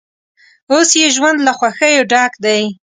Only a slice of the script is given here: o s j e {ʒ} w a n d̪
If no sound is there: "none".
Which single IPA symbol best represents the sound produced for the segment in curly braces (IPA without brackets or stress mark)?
ʒ